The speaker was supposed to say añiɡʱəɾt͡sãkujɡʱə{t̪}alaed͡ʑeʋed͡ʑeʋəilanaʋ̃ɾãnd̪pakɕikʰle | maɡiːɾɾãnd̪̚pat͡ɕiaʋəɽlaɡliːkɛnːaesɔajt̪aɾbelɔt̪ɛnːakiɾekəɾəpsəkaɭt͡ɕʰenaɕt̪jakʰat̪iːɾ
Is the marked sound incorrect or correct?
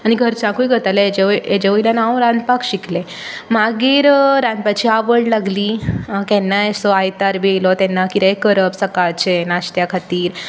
correct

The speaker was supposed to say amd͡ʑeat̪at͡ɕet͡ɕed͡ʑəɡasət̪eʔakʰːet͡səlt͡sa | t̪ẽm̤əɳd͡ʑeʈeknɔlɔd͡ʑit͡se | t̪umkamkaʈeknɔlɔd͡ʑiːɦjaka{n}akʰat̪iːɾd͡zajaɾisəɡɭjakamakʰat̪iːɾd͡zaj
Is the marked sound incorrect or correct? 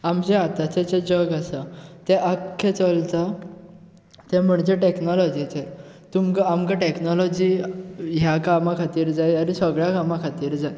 incorrect: m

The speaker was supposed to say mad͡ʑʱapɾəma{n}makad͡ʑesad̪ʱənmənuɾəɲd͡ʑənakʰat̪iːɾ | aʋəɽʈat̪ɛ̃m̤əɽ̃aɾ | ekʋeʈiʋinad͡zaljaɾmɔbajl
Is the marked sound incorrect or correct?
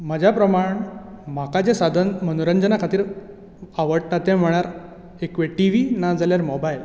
incorrect: ɳ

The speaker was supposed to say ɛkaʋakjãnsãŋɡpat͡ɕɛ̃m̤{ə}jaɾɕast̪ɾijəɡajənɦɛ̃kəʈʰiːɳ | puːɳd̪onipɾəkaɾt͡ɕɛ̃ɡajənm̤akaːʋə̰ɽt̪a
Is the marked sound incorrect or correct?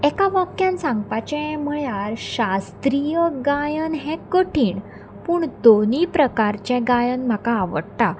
correct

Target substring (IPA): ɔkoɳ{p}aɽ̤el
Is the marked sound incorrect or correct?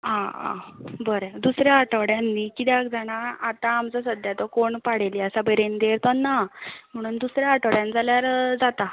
correct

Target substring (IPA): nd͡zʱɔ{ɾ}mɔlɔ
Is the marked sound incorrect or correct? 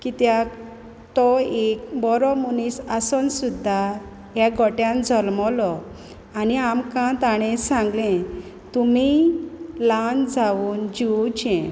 incorrect: l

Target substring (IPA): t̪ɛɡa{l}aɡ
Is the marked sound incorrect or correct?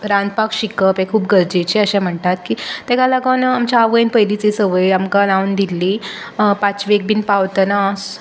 correct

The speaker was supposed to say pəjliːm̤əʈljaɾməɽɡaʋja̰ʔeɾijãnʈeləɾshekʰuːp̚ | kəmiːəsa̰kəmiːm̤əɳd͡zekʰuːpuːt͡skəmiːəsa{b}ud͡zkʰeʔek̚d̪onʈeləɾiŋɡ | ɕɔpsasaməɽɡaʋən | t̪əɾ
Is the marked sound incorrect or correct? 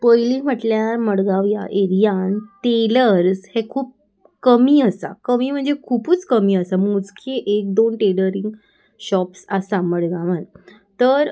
incorrect: m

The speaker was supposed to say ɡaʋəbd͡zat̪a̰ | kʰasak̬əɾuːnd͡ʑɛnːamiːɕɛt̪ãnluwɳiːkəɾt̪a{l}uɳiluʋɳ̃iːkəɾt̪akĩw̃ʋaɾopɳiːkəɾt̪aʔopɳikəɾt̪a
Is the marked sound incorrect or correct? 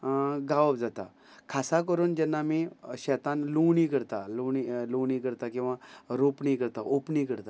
correct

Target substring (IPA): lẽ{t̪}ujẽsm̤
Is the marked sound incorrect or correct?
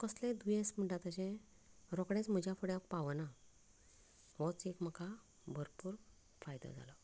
incorrect: d̪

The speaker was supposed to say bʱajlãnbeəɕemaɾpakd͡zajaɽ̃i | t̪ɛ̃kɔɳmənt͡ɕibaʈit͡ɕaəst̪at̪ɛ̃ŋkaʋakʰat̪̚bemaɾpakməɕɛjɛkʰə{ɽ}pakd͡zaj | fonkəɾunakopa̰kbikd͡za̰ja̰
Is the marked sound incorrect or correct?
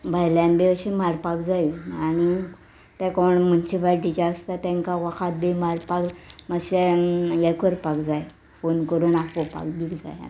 incorrect: ɾ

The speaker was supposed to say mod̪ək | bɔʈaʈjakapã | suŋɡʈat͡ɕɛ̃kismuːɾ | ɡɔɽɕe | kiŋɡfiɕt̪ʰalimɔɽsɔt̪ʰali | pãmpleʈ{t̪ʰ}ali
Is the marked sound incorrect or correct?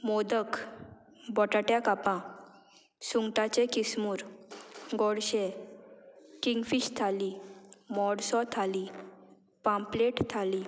correct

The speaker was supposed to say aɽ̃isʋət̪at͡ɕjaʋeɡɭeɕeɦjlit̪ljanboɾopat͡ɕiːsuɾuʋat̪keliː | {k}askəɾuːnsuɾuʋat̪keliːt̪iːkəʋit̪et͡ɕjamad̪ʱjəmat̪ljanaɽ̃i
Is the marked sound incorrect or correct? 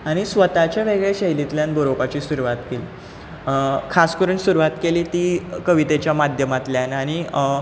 incorrect: kʰ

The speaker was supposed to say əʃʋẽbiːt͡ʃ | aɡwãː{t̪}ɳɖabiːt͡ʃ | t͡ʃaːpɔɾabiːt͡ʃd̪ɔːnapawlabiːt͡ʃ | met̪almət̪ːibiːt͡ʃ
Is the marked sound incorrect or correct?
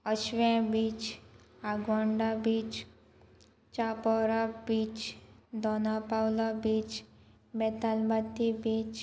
incorrect: none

